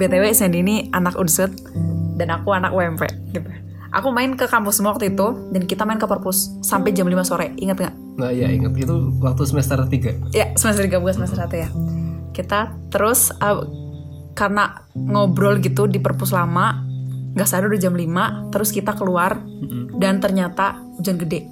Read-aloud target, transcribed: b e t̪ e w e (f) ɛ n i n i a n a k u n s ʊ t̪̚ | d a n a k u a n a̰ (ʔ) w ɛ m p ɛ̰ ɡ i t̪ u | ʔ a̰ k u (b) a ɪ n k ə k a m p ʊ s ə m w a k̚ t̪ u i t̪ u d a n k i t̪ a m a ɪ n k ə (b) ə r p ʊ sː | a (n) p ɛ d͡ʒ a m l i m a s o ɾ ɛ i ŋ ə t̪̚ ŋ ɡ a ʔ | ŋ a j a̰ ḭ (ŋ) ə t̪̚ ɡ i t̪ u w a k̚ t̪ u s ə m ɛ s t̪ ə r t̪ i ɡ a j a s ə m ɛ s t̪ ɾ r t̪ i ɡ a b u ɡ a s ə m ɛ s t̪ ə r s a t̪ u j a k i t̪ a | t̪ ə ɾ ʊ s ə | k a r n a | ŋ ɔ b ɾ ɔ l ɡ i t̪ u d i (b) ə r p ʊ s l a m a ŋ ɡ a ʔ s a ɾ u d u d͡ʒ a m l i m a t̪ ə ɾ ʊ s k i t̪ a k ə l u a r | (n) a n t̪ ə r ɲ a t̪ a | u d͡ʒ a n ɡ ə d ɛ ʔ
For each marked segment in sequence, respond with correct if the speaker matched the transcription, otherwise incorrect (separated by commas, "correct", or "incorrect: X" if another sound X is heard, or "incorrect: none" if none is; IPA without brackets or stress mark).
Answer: incorrect: s, incorrect: k, incorrect: m, incorrect: p, incorrect: m, correct, incorrect: p, incorrect: d